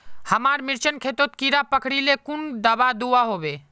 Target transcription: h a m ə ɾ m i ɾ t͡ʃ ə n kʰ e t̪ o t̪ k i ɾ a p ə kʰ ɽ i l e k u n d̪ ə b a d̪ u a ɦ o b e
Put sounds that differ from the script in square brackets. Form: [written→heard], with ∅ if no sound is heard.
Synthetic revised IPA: h [a→ə] m [ə→a] ɾ m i ɾ t͡ʃ ə n kʰ e t̪ o t̪ k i ɾ a p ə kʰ ɽ i l e k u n d̪ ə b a d̪ u a ɦ o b e

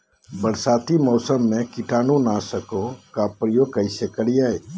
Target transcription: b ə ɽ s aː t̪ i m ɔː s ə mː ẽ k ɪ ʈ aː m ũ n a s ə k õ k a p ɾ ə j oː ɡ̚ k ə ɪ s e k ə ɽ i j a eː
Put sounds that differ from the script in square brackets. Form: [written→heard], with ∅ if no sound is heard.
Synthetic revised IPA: b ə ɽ s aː t̪ i m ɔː s ə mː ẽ k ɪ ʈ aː [m→n] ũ n a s ə k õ k a p ɾ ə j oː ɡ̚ k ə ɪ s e k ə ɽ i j a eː

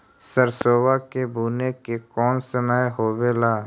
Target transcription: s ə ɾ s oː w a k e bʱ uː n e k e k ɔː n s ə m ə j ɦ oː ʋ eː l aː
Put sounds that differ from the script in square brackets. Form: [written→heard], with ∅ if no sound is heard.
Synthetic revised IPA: s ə ɾ s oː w a k e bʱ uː n e k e k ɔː n s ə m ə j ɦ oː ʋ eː l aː

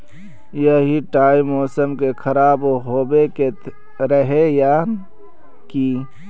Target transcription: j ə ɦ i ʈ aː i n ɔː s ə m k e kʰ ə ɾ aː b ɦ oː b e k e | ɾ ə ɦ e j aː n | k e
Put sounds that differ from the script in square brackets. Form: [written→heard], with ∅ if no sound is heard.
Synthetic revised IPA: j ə ɦ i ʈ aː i [n→m] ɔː s ə m k e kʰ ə ɾ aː b ɦ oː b e k e | ɾ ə ɦ e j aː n | k [e→i]

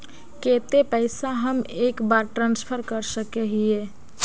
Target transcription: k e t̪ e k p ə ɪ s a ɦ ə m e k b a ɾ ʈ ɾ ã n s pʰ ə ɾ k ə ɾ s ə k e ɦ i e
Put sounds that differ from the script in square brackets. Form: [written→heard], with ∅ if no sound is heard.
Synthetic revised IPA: k e t̪ e [k→∅] p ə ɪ s a ɦ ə m e k b a ɾ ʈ ɾ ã n s pʰ ə ɾ k ə ɾ s ə k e ɦ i e

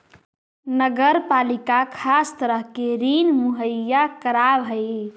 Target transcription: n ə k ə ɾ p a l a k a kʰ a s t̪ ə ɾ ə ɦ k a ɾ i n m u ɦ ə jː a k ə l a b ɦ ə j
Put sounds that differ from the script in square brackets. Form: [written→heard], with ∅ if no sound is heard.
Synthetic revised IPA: n ə [k→ɡ] ə ɾ p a l [a→i] k a kʰ a s t̪ ə ɾ ə ɦ k [a→e] ɾ i n m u ɦ ə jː a k ə [l→ɾ] a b ɦ ə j

